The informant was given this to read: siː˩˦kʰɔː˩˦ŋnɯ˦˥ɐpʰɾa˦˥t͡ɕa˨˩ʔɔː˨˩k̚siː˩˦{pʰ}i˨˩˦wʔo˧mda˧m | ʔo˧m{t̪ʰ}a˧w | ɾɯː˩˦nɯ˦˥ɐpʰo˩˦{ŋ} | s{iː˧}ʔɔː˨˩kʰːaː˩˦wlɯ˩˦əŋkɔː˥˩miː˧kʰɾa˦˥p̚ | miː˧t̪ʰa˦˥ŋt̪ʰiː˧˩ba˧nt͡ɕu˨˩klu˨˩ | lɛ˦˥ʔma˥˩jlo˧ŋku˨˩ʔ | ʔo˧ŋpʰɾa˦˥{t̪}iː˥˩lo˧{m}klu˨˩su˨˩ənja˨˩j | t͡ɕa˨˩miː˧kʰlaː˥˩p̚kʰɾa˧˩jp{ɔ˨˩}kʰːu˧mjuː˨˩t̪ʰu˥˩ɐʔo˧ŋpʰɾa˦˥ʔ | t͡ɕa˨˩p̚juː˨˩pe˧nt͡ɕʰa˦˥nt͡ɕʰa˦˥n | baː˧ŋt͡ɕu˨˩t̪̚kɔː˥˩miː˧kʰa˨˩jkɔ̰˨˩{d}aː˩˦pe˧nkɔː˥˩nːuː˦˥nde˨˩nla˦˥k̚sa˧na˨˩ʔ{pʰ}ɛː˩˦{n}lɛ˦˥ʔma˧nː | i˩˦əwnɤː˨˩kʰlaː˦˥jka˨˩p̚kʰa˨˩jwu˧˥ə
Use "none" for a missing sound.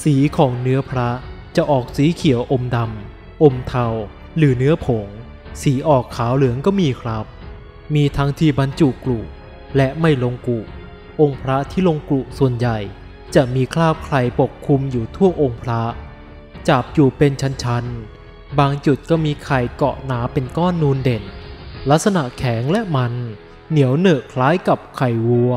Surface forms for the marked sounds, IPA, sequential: kʰ, t̪ʰ, ŋ, iː˩˦, t̪ʰ, ŋ, o˨˩, n, kʰ, ŋ

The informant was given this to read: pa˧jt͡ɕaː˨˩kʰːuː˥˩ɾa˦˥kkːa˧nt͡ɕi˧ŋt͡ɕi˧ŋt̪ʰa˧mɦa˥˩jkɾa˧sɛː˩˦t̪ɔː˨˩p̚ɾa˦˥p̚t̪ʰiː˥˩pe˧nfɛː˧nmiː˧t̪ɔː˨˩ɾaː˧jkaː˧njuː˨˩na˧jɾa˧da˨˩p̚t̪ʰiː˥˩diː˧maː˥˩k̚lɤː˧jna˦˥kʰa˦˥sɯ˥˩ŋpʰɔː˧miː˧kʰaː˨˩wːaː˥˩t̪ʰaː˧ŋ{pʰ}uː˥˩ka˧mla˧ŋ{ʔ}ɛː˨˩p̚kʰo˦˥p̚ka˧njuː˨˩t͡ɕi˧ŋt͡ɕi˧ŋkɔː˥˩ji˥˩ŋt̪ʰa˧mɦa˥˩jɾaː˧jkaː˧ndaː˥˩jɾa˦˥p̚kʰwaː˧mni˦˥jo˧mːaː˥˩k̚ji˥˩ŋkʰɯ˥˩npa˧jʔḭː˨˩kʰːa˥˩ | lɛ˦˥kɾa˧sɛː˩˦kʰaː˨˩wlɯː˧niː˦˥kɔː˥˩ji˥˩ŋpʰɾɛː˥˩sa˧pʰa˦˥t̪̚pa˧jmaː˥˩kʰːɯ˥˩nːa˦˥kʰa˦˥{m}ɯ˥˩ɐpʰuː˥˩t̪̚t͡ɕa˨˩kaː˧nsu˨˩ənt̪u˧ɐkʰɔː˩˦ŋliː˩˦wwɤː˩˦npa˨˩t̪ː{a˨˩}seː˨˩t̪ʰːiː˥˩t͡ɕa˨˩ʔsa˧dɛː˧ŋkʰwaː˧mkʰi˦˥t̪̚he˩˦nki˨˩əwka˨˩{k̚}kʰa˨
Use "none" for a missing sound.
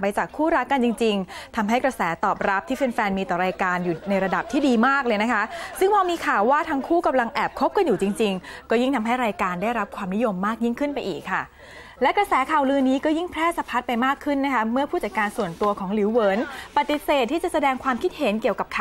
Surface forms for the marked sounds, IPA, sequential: kʰ, ʔ, m, i˨˩, p̚

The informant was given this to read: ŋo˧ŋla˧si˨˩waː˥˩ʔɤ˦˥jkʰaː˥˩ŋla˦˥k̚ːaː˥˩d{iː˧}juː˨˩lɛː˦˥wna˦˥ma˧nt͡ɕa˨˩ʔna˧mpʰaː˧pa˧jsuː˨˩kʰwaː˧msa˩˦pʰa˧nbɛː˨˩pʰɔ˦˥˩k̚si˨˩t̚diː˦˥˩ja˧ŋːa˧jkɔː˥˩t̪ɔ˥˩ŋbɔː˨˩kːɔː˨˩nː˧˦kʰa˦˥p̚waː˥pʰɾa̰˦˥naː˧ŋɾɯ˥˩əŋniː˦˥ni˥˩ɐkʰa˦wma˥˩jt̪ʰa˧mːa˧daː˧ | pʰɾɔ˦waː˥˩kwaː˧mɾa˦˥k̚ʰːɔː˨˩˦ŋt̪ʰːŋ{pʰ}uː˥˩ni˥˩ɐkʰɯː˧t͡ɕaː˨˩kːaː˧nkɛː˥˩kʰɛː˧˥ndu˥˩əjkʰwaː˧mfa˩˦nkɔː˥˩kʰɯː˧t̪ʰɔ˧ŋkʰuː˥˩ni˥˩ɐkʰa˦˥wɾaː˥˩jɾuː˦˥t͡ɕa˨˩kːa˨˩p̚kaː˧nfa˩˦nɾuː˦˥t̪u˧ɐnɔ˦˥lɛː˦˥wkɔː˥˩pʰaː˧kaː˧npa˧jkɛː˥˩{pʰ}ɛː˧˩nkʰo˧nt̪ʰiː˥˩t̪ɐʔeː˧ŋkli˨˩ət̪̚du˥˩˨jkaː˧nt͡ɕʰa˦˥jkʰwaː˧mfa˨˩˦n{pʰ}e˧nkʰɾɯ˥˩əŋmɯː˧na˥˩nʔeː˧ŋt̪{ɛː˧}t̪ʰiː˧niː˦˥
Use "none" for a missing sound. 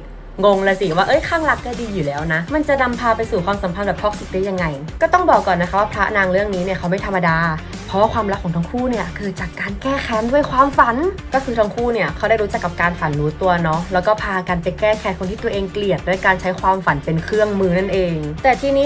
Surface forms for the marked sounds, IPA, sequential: iː˧, kʰ, kʰ, p, ɛː˨˩

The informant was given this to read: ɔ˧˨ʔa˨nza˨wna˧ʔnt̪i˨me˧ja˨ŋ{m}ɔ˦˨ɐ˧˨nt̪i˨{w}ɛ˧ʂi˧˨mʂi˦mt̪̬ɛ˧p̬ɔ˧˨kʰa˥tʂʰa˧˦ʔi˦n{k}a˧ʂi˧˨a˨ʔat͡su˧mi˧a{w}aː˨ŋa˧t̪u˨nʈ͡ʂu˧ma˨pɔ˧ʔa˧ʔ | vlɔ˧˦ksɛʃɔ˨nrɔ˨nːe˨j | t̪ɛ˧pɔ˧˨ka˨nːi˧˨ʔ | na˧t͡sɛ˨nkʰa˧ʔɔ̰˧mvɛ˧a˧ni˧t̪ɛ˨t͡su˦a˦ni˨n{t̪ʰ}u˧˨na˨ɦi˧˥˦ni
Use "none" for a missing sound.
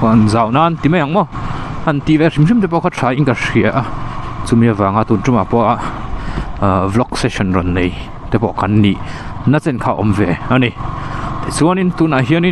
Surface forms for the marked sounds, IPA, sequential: m, v, k, v, t̪

